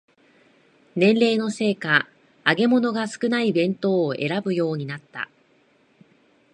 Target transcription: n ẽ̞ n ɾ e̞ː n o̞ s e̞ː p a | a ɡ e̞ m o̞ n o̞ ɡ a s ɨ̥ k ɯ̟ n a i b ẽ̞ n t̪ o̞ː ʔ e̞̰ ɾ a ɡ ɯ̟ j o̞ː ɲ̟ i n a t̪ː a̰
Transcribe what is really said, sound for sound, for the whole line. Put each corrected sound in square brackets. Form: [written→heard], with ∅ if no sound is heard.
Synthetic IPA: n ẽ̞ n ɾ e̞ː n o̞ s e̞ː [p→k] a | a ɡ e̞ m o̞ n o̞ ɡ a s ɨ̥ k ɯ̟ n a i b ẽ̞ n t̪ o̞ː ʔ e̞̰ ɾ a [ɡ→b] ɯ̟ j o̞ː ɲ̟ i n a t̪ː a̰